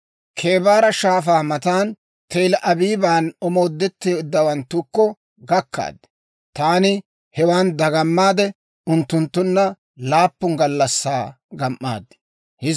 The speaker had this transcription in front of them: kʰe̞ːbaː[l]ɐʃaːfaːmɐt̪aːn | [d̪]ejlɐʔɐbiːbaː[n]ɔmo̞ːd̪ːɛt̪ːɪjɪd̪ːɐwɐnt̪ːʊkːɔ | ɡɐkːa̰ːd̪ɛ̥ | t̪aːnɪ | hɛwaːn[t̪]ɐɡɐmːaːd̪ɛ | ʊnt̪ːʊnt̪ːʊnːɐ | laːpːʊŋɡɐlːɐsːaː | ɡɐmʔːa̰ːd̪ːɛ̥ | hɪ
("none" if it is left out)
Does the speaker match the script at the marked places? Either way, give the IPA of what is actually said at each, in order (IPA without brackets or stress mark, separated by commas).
ɾ, t̪, n, d̪